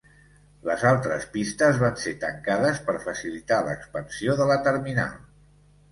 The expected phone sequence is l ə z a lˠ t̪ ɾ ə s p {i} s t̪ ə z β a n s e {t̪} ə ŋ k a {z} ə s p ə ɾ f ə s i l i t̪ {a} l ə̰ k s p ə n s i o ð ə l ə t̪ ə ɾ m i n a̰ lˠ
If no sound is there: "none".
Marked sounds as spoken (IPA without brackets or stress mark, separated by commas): i, t̪, ð, a